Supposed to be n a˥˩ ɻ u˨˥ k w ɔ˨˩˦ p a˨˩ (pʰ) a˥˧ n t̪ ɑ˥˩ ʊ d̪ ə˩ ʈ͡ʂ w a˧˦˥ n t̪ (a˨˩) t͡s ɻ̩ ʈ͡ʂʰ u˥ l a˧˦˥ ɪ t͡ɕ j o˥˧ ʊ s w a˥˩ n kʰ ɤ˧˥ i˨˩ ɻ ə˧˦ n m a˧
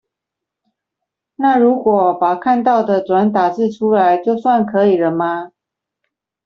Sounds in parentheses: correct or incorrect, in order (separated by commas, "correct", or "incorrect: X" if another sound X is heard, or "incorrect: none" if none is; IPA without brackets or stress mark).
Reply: incorrect: kʰ, correct